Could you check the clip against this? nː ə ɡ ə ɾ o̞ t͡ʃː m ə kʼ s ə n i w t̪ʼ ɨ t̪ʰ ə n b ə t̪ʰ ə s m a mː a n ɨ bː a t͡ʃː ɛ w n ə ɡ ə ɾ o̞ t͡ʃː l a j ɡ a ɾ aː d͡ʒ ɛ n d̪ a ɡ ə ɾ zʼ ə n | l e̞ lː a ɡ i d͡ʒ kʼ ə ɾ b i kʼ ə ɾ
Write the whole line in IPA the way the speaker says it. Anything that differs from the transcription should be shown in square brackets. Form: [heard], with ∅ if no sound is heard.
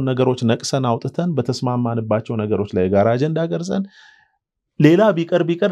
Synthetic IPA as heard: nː ə ɡ ə ɾ o̞ t͡ʃː [n] ə kʼ s ə n [a] w t̪ʼ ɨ t̪ʰ ə n b ə t̪ʰ ə s m a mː a n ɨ bː a t͡ʃː ɛ w n ə ɡ ə ɾ o̞ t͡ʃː l a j ɡ a ɾ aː d͡ʒ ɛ n d̪ a ɡ ə ɾ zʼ ə n | l e̞ [l] a [b] i [∅] kʼ ə ɾ b i kʼ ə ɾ